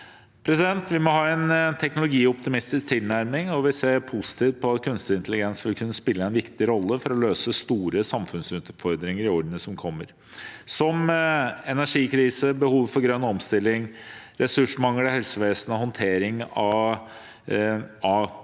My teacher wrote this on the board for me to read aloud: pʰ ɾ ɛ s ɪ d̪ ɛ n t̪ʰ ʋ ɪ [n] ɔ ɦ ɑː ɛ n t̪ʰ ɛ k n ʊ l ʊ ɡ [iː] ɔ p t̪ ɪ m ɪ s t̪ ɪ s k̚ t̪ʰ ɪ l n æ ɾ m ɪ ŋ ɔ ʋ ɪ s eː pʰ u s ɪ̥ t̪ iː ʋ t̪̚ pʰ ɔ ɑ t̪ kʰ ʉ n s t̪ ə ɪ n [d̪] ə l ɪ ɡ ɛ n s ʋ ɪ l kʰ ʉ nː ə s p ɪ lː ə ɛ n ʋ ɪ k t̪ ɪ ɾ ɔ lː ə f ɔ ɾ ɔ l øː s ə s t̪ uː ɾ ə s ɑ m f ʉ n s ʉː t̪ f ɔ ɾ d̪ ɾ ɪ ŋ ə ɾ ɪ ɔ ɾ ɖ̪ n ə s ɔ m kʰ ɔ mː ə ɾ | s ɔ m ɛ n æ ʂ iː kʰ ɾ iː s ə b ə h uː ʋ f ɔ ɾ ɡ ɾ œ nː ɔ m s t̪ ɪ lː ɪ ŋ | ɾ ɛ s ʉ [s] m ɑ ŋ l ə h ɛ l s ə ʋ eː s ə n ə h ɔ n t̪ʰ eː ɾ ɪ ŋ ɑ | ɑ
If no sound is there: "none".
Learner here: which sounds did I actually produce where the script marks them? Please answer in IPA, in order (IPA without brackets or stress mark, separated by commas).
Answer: m, iː, t̪, ʂ